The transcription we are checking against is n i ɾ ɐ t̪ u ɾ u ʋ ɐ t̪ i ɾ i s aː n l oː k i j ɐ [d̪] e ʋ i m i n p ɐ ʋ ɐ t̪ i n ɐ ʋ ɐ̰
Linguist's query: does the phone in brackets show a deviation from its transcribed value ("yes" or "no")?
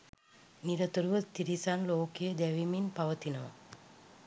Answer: no